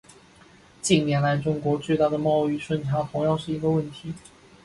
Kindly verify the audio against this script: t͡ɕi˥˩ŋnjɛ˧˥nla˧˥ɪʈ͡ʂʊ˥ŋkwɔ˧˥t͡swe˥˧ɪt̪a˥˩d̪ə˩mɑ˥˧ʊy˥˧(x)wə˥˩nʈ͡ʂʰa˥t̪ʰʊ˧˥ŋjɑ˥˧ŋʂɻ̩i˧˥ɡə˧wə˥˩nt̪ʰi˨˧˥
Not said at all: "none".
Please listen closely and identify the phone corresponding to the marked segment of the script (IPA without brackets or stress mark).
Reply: ʂ